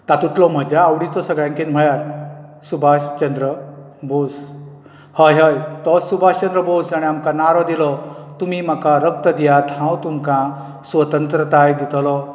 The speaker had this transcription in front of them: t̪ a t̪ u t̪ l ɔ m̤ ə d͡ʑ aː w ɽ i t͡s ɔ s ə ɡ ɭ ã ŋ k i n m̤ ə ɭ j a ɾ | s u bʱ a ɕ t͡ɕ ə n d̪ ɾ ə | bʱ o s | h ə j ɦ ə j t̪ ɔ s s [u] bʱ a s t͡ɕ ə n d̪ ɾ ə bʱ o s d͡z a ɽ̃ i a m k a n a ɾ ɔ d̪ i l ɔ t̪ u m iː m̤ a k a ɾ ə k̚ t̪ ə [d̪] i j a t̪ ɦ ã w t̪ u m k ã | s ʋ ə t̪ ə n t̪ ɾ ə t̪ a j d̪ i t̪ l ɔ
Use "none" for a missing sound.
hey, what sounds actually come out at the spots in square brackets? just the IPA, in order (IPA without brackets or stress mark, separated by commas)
u, d̪